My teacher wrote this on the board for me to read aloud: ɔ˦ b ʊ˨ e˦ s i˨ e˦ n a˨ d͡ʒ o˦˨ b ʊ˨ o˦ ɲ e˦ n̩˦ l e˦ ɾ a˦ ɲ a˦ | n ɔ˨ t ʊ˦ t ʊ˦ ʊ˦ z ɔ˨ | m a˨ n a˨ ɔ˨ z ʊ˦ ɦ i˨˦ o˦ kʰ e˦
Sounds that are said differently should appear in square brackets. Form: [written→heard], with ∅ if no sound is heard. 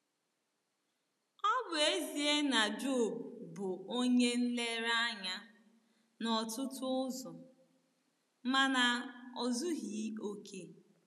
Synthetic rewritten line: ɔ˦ b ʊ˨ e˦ [s→z] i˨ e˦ n a˨ d͡ʒ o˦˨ b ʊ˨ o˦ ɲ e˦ n̩˦ l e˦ ɾ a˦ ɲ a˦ | n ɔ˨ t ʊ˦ t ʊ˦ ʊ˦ z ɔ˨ | m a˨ n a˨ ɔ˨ z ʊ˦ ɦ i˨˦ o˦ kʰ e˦